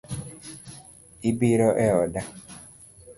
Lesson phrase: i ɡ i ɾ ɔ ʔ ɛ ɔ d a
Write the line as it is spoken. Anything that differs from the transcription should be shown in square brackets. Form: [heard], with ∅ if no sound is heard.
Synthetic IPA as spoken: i [b] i ɾ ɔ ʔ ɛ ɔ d a

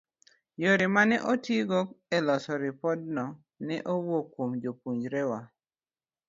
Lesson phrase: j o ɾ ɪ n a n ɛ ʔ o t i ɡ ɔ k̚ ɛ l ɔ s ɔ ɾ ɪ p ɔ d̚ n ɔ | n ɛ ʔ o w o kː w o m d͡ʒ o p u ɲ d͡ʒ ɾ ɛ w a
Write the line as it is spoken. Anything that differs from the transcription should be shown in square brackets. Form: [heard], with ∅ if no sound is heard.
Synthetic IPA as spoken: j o ɾ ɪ [m] a n ɛ ʔ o t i ɡ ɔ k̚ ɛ l ɔ s ɔ ɾ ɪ p ɔ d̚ n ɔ | n ɛ ʔ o w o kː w o m d͡ʒ o p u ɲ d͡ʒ ɾ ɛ w a

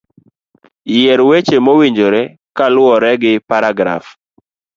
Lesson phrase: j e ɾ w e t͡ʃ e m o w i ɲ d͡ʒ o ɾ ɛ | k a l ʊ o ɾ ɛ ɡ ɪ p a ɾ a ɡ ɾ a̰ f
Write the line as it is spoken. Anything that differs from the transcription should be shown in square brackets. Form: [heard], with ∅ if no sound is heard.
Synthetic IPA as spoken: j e ɾ w e t͡ʃ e m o w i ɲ d͡ʒ o ɾ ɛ | k a l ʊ [ɔ] ɾ ɛ ɡ ɪ p a ɾ a ɡ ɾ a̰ f

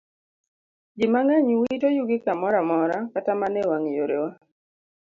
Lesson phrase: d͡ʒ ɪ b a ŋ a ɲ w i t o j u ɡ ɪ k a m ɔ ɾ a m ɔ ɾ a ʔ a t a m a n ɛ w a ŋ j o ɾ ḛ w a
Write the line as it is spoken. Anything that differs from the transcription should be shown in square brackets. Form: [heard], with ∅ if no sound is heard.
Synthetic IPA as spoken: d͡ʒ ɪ [m] a ŋ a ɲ w i t o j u ɡ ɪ k a m ɔ ɾ a m ɔ ɾ a [k] a t a m a n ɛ w a ŋ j o ɾ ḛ w a

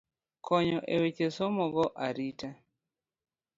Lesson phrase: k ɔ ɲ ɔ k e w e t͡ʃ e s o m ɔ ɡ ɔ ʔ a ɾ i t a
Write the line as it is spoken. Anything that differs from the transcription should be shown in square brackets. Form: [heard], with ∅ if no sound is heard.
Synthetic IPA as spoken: k ɔ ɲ ɔ [ʔ] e w e t͡ʃ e s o m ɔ ɡ ɔ ʔ a ɾ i t a

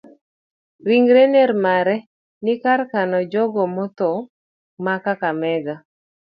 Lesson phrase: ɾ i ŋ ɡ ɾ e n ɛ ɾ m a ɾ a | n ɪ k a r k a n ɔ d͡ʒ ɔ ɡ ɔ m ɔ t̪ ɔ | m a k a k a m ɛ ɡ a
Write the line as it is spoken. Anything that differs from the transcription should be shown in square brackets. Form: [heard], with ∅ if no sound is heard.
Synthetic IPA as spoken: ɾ i ŋ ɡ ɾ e n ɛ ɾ m a ɾ [ɛ] | n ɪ k a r k a n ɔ d͡ʒ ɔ ɡ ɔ m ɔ t̪ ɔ | m a k a k a m ɛ ɡ a

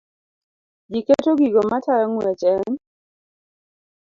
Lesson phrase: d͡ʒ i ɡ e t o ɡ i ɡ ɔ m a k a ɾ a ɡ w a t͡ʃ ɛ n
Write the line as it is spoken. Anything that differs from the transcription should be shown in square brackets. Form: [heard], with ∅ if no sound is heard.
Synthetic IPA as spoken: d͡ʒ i [k] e t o ɡ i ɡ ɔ m a [t] a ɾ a [ŋ] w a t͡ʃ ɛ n

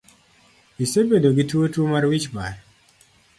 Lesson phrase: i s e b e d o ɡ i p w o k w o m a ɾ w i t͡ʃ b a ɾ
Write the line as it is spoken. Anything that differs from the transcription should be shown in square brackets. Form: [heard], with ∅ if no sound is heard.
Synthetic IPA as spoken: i s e b e d o ɡ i [t] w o [t] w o m a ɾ w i t͡ʃ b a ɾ

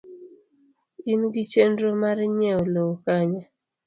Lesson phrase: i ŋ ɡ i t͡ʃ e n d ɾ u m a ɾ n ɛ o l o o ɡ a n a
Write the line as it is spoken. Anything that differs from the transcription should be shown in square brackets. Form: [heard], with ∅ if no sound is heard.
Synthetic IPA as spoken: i [n] ɡ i t͡ʃ e n d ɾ [o] m a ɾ [ɲ] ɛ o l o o [k] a [ɲ] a

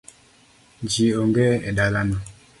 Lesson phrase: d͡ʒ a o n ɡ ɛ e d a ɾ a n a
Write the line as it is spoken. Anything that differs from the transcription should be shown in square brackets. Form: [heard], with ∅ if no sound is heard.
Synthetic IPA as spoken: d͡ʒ [i] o [ŋ] ɡ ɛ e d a [l] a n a

